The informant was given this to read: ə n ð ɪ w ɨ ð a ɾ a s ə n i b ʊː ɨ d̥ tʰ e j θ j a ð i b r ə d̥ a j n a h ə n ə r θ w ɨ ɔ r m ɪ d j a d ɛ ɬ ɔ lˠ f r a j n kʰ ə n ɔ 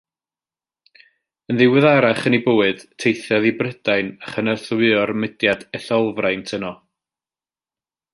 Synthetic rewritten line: ə n ð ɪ w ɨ ð a ɾ a χ ə n i b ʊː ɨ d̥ tʰ e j θ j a ð i b r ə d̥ a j n a χ ə n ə r θ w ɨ ɔ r m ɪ d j a d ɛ ɬ ɔ lˠ v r a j n tʰ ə n ɔ